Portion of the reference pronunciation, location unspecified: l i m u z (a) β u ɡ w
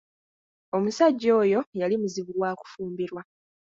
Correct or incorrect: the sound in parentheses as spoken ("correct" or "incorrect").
incorrect